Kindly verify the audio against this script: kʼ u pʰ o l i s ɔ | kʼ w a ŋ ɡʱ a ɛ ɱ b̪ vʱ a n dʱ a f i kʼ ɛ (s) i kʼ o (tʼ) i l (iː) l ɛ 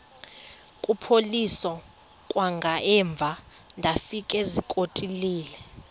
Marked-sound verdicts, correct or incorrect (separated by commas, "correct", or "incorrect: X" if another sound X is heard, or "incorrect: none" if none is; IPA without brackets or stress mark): incorrect: z, correct, correct